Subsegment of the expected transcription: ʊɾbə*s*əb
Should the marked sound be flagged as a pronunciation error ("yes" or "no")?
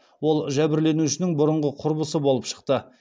no